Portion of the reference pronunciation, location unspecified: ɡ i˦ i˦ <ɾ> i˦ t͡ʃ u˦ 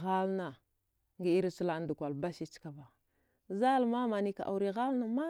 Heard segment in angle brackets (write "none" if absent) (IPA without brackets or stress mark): ɾ